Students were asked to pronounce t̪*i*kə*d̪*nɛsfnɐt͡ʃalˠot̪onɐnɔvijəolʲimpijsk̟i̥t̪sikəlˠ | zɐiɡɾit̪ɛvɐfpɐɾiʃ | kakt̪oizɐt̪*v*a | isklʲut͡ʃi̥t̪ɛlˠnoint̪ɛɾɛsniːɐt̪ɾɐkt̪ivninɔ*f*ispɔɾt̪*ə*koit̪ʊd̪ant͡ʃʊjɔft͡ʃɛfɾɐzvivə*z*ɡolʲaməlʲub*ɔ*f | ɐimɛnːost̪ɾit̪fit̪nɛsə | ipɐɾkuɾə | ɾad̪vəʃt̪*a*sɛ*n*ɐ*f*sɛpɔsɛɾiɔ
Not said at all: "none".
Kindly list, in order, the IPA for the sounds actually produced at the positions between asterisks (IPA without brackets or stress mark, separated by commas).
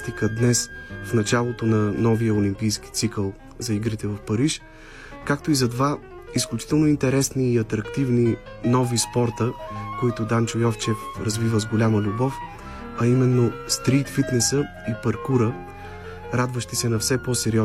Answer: i, d̪, v, v, ə, z, ɔ, i, n, f